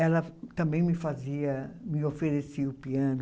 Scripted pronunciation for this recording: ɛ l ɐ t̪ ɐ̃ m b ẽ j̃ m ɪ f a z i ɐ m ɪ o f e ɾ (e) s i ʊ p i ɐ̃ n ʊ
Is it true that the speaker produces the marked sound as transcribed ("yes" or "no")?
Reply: yes